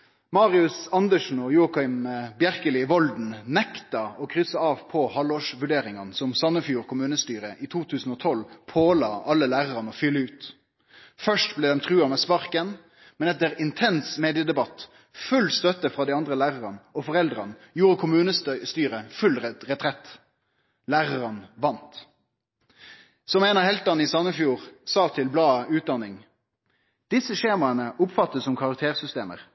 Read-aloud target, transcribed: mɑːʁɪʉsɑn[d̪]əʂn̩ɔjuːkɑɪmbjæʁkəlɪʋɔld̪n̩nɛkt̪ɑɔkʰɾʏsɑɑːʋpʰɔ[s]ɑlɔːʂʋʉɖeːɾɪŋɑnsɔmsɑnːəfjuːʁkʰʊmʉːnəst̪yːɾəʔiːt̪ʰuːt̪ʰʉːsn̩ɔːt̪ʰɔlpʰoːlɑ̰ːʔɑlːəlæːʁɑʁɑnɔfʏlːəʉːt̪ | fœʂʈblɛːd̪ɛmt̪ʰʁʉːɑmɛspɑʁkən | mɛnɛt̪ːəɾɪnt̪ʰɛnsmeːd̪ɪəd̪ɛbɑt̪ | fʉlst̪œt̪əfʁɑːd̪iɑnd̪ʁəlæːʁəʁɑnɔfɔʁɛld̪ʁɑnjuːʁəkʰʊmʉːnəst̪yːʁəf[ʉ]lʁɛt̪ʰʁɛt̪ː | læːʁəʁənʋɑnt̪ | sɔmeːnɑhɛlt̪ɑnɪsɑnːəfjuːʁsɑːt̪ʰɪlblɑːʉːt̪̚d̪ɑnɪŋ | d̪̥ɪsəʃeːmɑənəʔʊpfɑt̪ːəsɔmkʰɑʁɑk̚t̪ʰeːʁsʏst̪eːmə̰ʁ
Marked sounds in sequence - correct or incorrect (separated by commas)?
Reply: correct, incorrect, correct